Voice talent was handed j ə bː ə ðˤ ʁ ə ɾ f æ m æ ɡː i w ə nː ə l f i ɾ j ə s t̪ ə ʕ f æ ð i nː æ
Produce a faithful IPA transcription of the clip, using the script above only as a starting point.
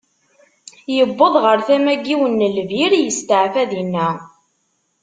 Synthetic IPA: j ə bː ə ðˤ ʁ ə ɾ θ æ m æ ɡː i w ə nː ə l v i ɾ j ə s t̪ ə ʕ f æ ð i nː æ